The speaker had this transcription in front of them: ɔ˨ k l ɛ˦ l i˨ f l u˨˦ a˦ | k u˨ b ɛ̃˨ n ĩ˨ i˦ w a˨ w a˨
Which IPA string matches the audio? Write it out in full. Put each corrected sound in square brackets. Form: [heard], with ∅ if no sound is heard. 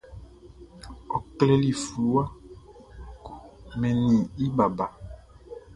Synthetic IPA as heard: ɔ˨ k l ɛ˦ l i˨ f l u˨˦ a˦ | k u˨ [m] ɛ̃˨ n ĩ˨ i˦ [b] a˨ [b] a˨